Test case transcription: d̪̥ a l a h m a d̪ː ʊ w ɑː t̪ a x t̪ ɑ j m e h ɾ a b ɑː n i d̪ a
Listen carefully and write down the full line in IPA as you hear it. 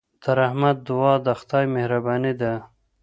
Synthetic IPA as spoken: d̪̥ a ɾ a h m a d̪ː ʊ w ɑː d̪ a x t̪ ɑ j m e h ɾ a b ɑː n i d̪ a